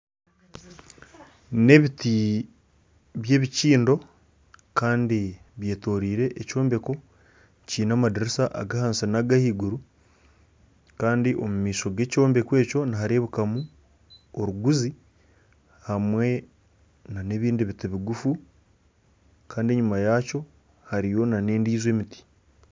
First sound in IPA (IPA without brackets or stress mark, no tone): n